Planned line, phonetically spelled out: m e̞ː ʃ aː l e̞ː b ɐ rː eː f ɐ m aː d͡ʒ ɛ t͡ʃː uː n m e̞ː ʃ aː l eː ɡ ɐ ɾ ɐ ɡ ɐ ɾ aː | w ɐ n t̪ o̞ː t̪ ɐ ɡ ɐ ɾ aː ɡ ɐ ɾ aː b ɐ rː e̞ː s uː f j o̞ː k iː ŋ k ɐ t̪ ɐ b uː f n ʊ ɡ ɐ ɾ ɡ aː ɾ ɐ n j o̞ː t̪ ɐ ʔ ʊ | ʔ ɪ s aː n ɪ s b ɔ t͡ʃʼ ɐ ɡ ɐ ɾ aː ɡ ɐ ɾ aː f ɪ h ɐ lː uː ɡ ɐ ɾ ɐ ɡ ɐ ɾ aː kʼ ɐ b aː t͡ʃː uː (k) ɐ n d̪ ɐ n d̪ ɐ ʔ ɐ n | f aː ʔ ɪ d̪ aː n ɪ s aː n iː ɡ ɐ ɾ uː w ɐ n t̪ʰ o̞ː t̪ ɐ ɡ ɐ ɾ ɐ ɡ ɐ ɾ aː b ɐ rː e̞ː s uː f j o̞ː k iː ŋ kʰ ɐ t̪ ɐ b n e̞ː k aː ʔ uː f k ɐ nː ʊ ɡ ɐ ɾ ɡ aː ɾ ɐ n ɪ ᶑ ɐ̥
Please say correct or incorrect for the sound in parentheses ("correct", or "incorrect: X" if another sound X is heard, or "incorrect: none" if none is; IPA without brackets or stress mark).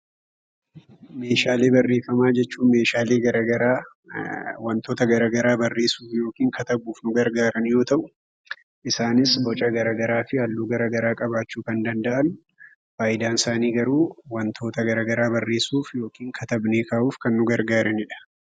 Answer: correct